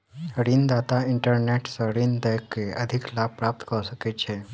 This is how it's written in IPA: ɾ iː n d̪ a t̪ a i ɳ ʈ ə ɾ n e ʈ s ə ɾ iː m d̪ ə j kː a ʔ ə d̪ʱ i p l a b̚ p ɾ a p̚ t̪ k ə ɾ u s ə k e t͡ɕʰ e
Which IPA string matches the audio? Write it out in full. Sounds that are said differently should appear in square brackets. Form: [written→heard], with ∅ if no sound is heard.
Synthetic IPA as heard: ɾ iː n d̪ a t̪ a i ɳ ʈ ə ɾ n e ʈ s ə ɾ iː [m→n] d̪ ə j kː [a→e] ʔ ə d̪ʱ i [p→k] l a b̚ p ɾ a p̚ t̪ k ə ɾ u s ə k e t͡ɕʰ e